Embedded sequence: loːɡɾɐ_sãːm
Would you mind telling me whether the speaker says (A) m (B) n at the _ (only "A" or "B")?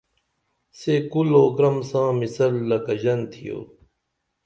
A